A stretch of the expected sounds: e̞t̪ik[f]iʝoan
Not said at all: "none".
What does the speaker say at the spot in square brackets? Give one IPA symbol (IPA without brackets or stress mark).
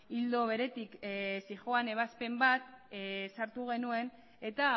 s